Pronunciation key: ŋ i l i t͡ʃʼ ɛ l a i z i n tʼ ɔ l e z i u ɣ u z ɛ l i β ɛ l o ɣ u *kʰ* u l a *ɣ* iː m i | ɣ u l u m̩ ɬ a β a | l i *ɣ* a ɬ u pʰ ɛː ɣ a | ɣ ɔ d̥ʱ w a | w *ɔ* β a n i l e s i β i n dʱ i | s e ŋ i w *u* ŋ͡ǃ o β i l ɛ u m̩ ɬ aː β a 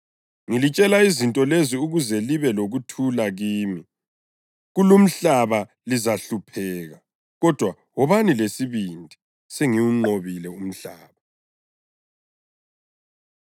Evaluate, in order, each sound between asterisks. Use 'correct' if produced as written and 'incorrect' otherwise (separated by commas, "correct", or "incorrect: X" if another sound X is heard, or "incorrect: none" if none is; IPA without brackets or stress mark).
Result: incorrect: tʰ, correct, incorrect: z, correct, correct